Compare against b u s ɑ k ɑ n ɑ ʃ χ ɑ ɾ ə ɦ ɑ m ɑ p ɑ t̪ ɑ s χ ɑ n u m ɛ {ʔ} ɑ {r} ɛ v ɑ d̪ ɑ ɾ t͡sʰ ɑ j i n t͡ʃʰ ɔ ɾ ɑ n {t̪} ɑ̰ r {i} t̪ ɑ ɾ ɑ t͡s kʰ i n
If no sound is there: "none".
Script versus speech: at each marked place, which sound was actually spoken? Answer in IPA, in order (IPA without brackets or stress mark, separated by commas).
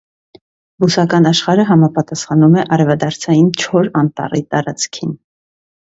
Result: ʔ, ɾ, t̪, i